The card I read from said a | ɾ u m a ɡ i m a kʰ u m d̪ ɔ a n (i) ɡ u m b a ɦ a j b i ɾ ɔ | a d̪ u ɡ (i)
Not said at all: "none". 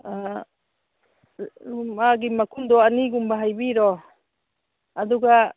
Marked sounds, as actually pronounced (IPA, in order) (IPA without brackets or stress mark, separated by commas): i, a